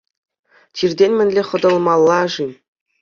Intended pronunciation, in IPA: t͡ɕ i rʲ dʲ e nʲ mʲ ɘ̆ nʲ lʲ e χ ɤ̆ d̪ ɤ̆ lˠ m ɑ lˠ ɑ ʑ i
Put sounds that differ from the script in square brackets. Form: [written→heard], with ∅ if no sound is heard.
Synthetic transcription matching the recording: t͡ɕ i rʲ dʲ e nʲ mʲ ɘ̆ nʲ lʲ e χ ɤ̆ d̪ ɤ̆ lˠ m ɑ [lˠ→lˠː] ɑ [ʑ→ʐ] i